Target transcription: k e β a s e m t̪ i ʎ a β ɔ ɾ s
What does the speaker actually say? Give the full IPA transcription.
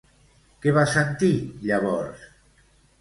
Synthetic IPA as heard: k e β a s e n t̪ i ʎ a β ɔ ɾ s